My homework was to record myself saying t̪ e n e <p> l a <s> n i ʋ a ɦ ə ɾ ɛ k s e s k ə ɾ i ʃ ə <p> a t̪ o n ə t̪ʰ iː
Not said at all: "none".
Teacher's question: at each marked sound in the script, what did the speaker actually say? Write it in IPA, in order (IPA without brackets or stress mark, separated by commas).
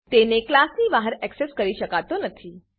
k, s, k